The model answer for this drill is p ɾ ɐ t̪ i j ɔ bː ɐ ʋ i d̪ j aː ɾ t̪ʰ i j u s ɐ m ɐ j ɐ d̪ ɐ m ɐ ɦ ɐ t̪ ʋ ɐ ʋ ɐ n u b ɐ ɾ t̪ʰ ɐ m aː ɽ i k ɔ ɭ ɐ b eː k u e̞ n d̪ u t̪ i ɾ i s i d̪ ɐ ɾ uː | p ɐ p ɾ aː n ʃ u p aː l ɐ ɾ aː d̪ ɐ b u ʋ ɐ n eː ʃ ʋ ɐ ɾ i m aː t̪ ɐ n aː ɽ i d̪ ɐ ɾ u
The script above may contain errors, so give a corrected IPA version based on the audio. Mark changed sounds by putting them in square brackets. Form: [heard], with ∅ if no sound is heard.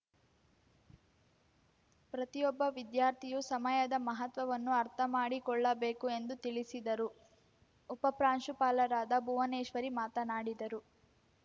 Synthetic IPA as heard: p ɾ ɐ t̪ i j ɔ bː ɐ ʋ i d̪ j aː ɾ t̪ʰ i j u s ɐ m ɐ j ɐ d̪ ɐ m ɐ ɦ ɐ t̪ ʋ ɐ ʋ ɐ [nː] u [∅] ɐ ɾ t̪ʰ ɐ m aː ɽ i k ɔ [ɭː] ɐ b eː k u e̞ n d̪ u t̪ i [ɭ] i s i d̪ ɐ ɾ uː | p ɐ p ɾ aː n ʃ u p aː l ɐ ɾ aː d̪ ɐ b u ʋ ɐ n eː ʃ ʋ ɐ ɾ i m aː t̪ ɐ n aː ɽ i d̪ ɐ ɾ u